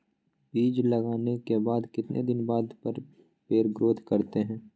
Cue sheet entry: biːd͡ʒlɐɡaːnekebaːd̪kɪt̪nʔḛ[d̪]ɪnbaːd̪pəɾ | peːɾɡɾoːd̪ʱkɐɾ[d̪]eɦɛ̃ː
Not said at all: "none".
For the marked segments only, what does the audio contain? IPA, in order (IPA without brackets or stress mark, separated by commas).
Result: d̪, t̪